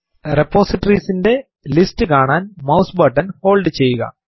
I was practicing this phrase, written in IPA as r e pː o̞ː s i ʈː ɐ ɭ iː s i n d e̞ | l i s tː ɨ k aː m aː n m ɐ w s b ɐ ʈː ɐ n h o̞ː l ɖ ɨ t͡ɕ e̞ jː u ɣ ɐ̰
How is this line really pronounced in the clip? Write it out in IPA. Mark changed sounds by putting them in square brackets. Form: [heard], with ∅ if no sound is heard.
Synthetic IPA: r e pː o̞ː s i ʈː ɐ [r] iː s i n d e̞ | l i s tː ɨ k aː [ɳ] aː n m ɐ w s b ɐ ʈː ɐ n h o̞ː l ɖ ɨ t͡ɕ e̞ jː u ɣ ɐ̰